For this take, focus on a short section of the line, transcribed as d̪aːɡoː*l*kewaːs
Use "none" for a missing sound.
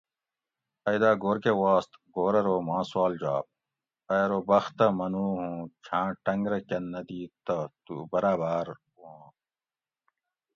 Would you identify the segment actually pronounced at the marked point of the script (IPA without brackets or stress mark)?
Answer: ɾ